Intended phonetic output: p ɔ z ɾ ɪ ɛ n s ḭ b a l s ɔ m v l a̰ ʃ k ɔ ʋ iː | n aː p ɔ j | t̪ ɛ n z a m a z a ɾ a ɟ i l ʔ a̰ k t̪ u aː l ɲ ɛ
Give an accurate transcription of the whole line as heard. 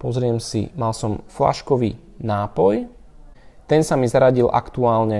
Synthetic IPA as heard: p ɔ z ɾ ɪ ɛ m s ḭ m a l s ɔ m f l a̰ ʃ k ɔ ʋ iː | n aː p ɔ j | t̪ ɛ n s a m i z a ɾ a ɟ i l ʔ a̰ k t̪ u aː l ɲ ɛ